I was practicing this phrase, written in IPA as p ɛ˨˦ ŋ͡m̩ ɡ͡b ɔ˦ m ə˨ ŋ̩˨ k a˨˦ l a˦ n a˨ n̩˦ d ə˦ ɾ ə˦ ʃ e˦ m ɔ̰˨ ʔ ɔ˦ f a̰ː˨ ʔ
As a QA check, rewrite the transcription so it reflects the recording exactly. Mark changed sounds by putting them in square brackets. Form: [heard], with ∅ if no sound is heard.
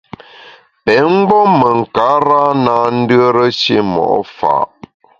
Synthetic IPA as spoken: p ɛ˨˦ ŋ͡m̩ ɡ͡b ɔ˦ m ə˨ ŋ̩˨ k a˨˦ [ɾ] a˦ n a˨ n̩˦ d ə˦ ɾ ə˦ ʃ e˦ m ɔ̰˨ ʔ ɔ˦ f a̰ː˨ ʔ